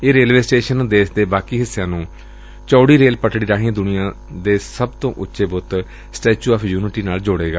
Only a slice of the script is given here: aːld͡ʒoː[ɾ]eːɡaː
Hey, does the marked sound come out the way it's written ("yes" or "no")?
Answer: no